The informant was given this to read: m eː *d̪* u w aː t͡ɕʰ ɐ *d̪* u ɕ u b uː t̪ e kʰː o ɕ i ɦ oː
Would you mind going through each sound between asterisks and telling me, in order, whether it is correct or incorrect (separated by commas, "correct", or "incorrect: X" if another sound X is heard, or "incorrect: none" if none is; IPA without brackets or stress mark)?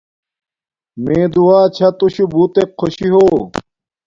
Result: correct, incorrect: t̪